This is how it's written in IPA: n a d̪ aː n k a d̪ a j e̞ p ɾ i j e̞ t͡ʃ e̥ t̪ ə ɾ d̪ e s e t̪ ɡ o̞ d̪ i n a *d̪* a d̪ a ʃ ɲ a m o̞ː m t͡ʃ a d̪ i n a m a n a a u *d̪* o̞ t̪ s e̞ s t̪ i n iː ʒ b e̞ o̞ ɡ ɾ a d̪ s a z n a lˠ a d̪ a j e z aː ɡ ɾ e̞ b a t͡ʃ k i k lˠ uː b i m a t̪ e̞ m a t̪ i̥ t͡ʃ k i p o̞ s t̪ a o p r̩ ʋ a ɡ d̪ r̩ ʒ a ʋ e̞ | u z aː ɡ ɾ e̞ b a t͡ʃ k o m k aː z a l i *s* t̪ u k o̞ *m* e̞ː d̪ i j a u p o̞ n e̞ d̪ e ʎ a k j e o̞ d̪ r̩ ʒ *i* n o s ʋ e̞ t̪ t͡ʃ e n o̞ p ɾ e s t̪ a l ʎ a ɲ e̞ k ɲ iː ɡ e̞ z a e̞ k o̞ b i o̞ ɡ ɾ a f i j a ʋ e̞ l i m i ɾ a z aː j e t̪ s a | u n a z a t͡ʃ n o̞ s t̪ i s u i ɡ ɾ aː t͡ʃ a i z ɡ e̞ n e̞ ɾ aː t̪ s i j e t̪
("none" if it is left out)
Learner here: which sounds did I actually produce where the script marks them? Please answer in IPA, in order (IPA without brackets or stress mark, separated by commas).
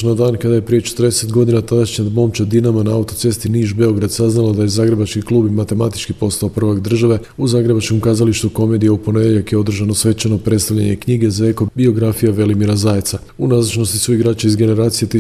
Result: t̪, t̪, ʃ, m, a